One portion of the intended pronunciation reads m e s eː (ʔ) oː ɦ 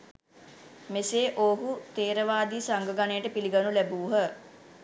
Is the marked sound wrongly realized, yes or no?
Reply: no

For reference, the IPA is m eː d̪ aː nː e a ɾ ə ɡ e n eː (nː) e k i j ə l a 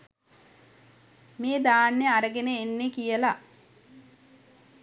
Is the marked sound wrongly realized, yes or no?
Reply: no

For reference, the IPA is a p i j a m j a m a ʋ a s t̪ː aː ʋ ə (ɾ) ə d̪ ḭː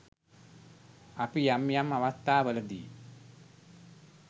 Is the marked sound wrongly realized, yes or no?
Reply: yes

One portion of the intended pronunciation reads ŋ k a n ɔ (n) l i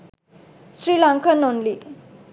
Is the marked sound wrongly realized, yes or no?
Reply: no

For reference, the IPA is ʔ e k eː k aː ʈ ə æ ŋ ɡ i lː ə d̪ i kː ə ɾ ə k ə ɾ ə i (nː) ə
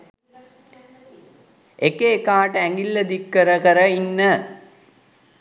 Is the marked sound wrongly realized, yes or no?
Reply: no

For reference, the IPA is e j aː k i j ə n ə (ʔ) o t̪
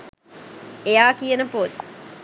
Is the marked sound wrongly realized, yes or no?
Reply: yes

